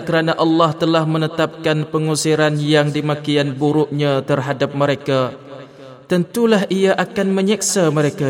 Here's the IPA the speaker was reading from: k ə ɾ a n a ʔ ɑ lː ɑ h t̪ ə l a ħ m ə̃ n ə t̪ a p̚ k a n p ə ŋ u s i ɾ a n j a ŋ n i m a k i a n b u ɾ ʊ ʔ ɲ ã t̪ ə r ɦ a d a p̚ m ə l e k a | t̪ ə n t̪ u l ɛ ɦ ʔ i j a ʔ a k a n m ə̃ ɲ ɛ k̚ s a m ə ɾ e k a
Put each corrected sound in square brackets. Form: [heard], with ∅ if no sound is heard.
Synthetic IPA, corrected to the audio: k ə ɾ a n a ʔ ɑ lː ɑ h t̪ ə l a [h] m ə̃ n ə t̪ a p̚ k a n p ə ŋ u s i ɾ a n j a ŋ [d] i m a k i a n b u ɾ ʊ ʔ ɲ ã t̪ ə r ɦ a d a p̚ m ə [ɾ] e k a | t̪ ə n t̪ u l [a] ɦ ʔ i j a ʔ a k a n m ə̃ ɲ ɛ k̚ s a m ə ɾ e k a